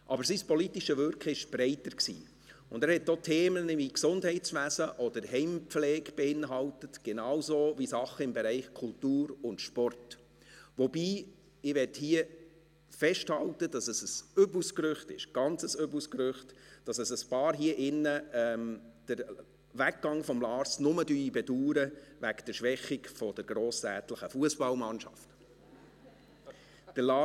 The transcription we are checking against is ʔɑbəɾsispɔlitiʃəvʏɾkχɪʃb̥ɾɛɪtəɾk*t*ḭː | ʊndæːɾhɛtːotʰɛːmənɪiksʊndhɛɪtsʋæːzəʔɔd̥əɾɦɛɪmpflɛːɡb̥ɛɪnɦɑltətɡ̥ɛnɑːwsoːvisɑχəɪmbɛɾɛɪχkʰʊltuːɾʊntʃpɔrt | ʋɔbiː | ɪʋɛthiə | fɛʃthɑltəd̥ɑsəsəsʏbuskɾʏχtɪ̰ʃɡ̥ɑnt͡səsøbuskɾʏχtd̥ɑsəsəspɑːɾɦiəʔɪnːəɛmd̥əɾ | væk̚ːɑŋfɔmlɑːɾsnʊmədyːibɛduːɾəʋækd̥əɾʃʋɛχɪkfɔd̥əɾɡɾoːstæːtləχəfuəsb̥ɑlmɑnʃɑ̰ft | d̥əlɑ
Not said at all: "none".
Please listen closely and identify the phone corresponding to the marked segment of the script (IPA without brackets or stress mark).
s